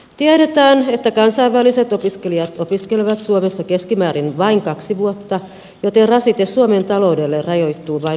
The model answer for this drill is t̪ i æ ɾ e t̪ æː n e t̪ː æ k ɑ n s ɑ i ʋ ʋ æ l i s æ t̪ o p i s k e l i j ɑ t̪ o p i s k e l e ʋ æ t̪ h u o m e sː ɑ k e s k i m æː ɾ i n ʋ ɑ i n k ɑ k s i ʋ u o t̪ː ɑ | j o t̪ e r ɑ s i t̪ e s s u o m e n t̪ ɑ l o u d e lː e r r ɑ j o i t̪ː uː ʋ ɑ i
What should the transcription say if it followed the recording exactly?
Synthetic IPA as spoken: t̪ i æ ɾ e t̪ æː n e t̪ː æ k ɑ n s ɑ i ʋ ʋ æ l i s e t̪ o p i s k e l i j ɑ t̪ o p i s k e l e ʋ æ t̪ s u o m e sː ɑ k e s k i m æː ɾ i n ʋ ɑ i ŋ k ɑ k s i ʋ u o t̪ː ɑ | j o t̪ e r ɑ s i t̪ e s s u o m e n t̪ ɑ l o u d e lː e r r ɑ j o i t̪ː uː ʋ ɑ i